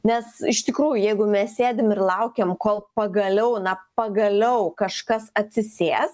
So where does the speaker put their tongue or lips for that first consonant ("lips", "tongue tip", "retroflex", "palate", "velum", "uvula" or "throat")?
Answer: tongue tip